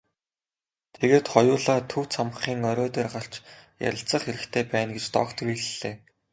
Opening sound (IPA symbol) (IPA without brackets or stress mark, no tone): t̪ʰ